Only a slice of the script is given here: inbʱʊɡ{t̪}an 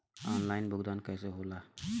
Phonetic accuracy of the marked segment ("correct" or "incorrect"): incorrect